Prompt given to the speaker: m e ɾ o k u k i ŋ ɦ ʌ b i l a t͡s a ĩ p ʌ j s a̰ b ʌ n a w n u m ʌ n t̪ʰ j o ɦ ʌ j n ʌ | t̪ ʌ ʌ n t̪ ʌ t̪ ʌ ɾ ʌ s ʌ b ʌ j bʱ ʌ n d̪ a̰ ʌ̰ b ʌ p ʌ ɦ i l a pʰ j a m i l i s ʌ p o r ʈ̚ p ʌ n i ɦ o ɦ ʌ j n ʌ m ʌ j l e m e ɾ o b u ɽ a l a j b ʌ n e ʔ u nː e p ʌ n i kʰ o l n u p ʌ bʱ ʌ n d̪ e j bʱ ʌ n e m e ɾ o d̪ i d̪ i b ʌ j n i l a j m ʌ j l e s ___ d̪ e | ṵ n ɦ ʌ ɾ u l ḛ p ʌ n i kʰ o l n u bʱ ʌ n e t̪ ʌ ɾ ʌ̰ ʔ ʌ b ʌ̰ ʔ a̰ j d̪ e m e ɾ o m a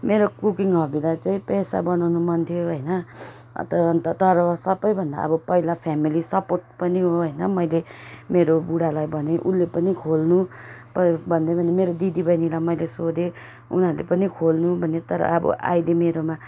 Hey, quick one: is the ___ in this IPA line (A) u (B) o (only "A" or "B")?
B